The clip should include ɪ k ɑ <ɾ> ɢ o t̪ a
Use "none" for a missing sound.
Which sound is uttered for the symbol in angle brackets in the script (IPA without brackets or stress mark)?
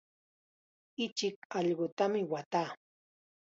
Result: ʎ